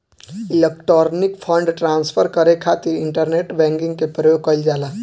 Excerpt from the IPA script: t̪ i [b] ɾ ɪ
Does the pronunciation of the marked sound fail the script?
yes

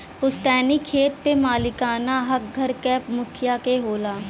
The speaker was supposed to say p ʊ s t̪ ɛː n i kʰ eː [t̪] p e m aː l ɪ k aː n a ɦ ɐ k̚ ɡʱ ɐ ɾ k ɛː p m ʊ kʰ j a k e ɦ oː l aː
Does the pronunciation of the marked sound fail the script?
no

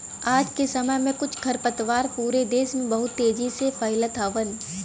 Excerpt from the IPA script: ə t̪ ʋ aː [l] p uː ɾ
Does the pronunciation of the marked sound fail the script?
yes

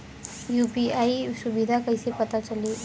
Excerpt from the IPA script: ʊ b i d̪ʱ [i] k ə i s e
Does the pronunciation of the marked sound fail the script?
yes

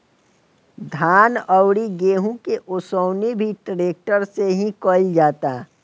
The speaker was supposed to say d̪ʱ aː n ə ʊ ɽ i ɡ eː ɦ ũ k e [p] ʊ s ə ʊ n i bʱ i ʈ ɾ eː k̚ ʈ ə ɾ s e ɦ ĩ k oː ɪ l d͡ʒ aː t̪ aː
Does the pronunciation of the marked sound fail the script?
yes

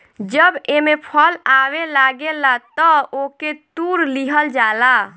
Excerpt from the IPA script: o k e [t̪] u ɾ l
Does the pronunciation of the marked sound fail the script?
no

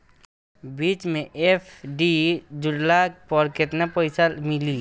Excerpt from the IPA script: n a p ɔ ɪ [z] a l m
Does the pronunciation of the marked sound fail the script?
yes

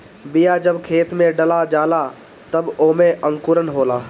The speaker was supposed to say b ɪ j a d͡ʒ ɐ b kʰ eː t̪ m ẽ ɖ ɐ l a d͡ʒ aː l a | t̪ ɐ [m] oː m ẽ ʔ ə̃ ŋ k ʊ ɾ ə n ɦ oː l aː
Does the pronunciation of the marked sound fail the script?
yes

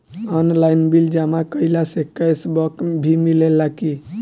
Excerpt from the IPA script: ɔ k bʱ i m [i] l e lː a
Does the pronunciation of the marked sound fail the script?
no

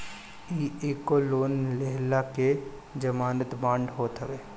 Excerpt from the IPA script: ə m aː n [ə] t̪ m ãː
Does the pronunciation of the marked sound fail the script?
no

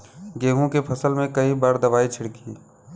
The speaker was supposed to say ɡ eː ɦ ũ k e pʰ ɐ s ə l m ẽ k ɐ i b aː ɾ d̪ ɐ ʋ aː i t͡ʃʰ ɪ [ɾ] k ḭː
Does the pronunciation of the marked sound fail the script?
yes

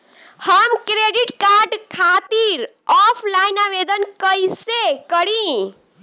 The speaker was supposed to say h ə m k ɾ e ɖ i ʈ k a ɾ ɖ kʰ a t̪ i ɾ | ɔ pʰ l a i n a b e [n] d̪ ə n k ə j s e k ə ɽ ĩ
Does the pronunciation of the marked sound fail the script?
yes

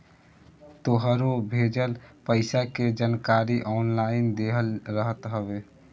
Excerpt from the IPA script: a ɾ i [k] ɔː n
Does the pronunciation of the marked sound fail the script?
yes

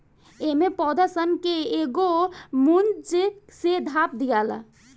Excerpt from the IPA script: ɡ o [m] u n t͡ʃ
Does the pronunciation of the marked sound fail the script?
no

